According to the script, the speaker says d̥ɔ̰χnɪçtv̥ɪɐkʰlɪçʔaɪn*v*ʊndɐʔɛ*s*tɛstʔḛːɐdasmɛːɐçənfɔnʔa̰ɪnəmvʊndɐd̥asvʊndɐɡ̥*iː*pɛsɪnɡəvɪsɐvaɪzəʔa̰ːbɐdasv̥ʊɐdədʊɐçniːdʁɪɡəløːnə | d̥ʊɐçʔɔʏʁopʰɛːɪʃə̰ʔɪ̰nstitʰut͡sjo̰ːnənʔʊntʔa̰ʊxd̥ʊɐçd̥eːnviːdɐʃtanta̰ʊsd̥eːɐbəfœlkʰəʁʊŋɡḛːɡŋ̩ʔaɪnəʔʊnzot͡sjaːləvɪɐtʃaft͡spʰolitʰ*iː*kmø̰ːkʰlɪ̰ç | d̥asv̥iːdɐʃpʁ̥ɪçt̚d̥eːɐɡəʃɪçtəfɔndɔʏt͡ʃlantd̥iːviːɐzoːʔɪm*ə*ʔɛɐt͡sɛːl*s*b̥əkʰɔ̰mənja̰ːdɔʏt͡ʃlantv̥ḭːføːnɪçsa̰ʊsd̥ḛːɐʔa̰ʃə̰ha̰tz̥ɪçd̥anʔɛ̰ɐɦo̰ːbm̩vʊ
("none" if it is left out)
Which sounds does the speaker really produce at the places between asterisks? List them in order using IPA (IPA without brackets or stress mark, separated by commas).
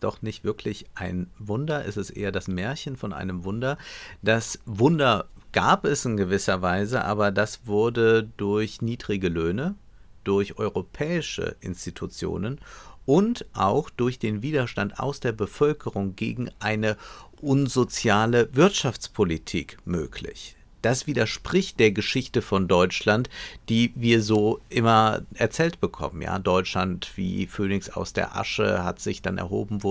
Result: v, s, aː, iː, ɐ, t